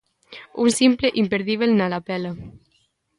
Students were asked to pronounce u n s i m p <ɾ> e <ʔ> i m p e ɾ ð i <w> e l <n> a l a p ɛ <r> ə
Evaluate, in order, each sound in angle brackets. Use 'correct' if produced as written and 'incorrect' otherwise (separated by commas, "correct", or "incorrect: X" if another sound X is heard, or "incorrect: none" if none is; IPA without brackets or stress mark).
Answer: incorrect: l, correct, incorrect: β, correct, incorrect: l